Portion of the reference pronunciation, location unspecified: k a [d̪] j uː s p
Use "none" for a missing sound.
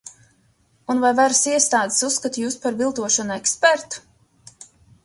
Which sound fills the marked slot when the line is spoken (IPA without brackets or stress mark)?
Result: t̪